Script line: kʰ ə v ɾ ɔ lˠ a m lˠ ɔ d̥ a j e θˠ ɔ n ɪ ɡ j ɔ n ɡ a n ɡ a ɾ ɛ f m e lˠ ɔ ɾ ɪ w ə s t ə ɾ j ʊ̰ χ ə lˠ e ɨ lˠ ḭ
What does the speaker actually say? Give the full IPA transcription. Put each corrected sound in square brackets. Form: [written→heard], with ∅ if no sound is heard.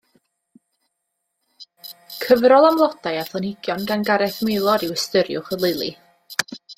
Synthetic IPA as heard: kʰ ə v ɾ ɔ lˠ a m lˠ ɔ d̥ a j [e→a] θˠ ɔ n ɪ ɡ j ɔ n ɡ a n ɡ a ɾ ɛ [f→θ] m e lˠ ɔ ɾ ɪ w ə s t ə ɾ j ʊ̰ χ ə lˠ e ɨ lˠ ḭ